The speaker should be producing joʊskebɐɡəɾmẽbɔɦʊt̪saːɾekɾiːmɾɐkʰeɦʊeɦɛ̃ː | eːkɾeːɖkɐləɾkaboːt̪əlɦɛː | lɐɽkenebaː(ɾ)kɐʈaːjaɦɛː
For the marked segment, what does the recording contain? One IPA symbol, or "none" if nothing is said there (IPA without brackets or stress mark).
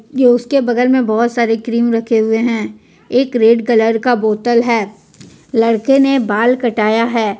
l